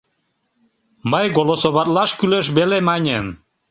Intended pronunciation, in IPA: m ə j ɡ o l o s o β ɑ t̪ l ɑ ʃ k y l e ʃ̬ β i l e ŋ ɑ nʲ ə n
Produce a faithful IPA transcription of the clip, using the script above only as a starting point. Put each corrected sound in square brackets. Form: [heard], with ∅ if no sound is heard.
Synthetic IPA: m ə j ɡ o l o s o β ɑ t̪ l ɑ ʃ k y l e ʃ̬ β [e] l e [m] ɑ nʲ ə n